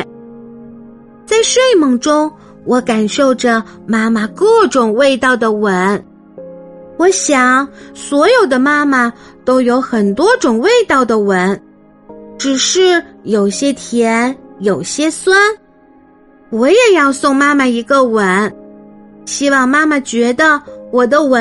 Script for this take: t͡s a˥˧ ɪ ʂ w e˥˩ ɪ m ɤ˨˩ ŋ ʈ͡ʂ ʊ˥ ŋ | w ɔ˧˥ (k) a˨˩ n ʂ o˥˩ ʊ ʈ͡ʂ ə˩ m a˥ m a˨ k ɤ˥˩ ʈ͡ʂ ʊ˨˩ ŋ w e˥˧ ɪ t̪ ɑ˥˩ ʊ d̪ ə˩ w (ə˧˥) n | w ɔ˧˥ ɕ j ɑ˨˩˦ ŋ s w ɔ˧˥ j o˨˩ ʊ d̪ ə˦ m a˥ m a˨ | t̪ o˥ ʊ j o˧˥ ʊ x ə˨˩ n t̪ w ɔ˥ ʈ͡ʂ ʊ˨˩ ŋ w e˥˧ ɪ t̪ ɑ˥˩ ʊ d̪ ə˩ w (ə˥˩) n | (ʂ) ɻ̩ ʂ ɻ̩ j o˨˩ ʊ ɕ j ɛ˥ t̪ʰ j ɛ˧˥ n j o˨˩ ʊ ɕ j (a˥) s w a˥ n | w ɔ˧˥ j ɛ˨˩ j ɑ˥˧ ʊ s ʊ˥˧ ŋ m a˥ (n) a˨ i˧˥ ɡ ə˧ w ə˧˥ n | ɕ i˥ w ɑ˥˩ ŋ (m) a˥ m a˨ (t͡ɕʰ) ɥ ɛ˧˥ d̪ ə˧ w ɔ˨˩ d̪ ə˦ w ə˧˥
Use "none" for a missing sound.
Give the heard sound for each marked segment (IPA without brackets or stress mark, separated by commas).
k, ə˧˥, ə˧˥, ʈ͡ʂ, ɛ˥, m, m, t͡ɕ